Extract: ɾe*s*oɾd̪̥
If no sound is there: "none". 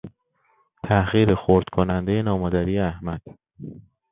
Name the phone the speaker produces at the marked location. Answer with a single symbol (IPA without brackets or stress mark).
x